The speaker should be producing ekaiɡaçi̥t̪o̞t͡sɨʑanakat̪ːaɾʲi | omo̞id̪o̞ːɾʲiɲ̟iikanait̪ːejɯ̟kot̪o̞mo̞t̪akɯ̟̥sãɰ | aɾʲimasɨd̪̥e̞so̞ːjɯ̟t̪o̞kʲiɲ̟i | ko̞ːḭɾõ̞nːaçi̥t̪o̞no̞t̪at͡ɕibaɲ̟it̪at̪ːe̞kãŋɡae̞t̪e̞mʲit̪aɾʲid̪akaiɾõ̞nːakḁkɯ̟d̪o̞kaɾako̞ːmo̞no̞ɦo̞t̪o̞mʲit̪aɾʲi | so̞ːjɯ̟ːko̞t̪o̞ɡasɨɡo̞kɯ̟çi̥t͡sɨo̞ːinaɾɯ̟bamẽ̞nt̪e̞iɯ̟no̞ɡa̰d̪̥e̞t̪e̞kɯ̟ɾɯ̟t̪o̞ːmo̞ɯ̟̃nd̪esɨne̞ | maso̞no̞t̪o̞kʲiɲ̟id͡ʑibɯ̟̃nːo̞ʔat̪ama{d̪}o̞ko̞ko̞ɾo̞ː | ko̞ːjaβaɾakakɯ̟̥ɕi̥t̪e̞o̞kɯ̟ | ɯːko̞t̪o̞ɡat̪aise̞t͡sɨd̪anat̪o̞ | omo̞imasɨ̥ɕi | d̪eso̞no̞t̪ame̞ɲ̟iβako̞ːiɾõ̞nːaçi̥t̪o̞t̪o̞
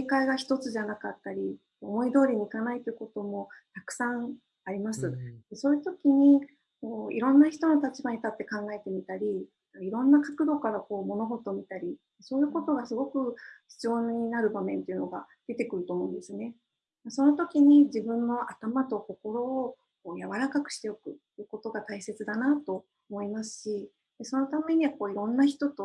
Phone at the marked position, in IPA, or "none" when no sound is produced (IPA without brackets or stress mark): t̪